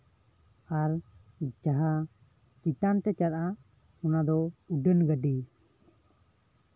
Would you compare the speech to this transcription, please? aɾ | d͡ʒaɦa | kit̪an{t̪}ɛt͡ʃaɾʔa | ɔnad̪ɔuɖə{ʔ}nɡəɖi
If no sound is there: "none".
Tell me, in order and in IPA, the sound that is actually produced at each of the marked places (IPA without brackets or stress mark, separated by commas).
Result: t̪, none